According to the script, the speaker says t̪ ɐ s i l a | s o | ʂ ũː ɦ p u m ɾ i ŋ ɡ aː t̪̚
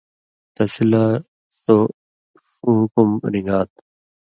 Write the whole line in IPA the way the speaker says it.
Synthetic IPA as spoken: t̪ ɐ s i l a | s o | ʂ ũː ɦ k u m ɾ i ŋ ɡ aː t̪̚